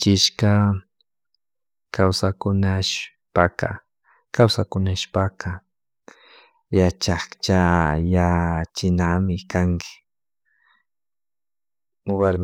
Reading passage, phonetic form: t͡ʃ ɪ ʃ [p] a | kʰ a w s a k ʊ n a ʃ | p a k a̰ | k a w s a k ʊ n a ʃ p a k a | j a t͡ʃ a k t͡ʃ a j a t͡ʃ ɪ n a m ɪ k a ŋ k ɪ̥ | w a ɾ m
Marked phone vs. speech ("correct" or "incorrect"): incorrect